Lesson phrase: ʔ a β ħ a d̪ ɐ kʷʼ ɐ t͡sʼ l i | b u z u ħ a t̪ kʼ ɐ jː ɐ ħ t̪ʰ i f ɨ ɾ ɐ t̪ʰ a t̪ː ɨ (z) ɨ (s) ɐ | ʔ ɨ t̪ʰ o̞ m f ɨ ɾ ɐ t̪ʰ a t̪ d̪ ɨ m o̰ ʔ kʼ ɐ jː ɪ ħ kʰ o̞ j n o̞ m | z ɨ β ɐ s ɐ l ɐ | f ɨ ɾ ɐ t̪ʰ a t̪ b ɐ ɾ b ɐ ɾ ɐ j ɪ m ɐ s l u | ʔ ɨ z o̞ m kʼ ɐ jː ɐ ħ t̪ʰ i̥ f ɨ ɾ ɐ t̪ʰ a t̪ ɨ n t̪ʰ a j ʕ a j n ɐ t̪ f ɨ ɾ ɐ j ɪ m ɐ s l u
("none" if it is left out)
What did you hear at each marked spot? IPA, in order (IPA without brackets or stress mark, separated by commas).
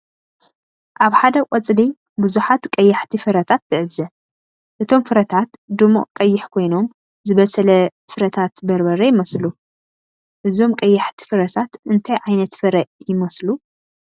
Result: ʕ, z